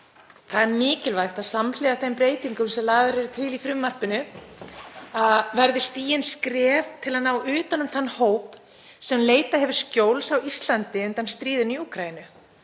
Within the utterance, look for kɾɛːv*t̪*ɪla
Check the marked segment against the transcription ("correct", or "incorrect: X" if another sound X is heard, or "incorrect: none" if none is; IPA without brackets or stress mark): incorrect: t̪ʰ